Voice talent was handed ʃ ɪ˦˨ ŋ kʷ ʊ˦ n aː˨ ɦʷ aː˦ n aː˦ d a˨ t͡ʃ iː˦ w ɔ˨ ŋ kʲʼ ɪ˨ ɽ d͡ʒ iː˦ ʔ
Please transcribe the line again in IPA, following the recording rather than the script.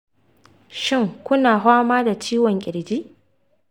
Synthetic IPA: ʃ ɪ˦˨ ŋ kʷ ʊ˦ n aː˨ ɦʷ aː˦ m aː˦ d a˨ t͡ʃ iː˦ w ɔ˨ ŋ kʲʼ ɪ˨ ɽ d͡ʒ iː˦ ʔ